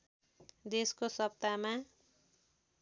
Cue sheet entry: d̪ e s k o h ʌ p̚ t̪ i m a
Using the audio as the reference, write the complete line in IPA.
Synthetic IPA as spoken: d̪ e s k o s ʌ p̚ t̪ a m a